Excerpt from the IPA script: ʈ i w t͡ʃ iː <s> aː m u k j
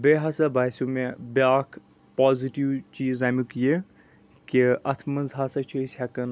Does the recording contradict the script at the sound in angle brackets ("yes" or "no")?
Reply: yes